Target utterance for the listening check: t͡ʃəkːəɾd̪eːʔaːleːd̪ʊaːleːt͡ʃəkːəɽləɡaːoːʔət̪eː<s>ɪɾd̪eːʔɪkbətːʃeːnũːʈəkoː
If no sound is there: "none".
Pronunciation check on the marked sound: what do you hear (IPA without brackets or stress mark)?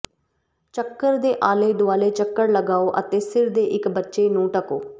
s